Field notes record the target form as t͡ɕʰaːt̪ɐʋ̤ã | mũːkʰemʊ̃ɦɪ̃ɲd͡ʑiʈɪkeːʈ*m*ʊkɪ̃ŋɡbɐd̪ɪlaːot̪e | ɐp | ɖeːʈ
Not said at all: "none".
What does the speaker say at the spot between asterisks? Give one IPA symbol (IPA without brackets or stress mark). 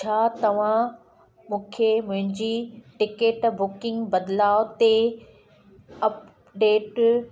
b